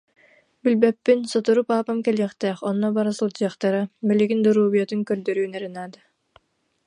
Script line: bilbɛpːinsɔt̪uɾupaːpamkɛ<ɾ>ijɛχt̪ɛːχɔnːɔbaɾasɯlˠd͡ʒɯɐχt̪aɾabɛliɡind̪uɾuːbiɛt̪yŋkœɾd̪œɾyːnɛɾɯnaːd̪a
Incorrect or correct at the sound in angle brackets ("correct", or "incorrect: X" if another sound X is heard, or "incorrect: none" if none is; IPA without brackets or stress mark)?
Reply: incorrect: l